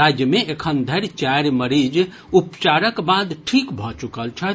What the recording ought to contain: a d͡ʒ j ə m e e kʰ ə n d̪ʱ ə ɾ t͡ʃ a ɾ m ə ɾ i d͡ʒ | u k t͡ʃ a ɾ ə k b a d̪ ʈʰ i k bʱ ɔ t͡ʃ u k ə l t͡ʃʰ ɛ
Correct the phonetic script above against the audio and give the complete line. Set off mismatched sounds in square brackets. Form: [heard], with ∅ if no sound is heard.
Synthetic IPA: a d͡ʒ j ə m e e kʰ ə n d̪ʱ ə ɾ t͡ʃ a ɾ m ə ɾ i d͡ʒ | u [p] t͡ʃ a ɾ ə k b a d̪ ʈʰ i k bʱ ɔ t͡ʃ u k ə l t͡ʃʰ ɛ